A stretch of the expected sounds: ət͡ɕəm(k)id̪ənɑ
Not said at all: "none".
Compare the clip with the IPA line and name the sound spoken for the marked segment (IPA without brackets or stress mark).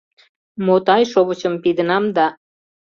p